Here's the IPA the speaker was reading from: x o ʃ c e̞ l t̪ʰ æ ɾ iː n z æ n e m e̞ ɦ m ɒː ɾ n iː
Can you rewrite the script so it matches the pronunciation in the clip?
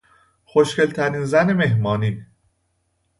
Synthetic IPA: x o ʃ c e̞ l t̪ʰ æ ɾ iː n z æ n e m e̞ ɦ m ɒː n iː